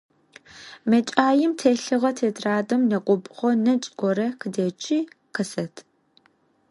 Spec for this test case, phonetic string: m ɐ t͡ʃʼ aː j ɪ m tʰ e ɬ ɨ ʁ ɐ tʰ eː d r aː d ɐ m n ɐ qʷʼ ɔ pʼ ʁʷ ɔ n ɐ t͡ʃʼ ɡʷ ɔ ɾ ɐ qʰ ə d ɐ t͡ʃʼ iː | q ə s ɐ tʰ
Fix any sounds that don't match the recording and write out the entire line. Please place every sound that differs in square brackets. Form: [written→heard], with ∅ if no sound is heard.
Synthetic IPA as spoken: m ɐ t͡ʃʼ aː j ɪ m tʰ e ɬ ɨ ʁ ɐ tʰ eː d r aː d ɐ m n ɐ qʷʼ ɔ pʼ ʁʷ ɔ n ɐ t͡ʃʼ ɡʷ ɔ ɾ ɐ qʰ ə d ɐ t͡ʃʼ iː | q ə s ɐ tʰ